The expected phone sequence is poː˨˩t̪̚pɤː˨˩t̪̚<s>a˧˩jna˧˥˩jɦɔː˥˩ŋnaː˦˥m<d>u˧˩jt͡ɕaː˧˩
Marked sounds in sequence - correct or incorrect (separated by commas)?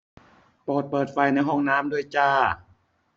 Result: incorrect, correct